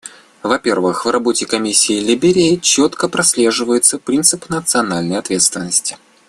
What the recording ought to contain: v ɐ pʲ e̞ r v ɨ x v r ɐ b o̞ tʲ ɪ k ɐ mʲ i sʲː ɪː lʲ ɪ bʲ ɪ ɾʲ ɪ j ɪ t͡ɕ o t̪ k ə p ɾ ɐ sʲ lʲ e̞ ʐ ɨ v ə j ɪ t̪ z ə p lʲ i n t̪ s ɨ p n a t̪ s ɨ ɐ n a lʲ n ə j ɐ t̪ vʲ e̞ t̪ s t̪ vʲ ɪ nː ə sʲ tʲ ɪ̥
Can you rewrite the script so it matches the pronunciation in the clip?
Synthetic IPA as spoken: v ɐ pʲ e̞ r v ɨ x v r ɐ b o̞ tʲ ɪ k ɐ mʲ i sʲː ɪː lʲ ɪ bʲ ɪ ɾʲ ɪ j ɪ t͡ɕ o t̪ k ə p ɾ ɐ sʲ lʲ e̞ ʐ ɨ v ə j ɪ t̪ s ə p ɾʲ i n t̪ s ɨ p n ə t̪ s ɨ ɐ n a lʲ n ə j ɐ t̪ vʲ e̞ t̪ s t̪ vʲ ɪ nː ə sʲ tʲ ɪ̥